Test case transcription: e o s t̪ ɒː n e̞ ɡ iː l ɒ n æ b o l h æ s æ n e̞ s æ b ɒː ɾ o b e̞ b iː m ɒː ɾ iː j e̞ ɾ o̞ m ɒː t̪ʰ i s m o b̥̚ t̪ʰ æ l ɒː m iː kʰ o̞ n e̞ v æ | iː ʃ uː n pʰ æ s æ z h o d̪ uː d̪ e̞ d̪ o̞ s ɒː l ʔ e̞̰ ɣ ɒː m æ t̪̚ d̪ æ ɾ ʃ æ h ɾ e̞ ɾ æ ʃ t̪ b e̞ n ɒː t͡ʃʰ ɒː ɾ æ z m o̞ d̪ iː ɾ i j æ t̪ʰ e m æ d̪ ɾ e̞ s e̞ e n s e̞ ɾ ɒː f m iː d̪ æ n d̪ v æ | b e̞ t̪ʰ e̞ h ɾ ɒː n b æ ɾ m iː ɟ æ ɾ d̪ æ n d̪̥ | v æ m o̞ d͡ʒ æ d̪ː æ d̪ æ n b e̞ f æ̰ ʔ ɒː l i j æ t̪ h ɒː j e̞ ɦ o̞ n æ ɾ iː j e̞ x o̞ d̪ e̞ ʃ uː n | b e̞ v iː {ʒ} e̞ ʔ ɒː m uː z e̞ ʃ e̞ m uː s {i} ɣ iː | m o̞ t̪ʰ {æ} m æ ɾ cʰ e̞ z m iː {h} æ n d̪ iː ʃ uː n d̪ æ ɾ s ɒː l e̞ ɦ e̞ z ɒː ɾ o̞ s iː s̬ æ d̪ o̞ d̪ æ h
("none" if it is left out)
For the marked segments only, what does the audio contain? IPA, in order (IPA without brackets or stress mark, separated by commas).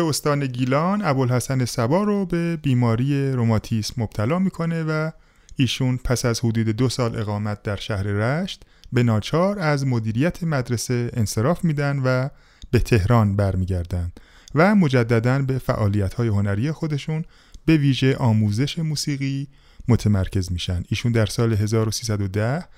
ʒ, iː, e, ʃ